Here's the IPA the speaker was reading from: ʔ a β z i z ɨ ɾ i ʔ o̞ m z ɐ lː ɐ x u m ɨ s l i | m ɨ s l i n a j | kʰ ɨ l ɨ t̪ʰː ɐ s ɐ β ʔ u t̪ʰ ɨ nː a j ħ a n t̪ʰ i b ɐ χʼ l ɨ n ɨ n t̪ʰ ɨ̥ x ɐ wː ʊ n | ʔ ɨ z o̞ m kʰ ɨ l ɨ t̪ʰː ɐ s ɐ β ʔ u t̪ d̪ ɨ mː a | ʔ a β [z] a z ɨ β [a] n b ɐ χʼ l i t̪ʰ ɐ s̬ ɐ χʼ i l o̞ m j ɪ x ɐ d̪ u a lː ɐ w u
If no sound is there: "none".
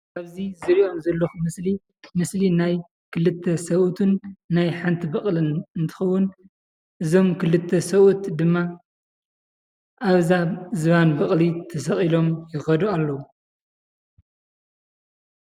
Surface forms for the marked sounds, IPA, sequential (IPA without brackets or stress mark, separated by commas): z, a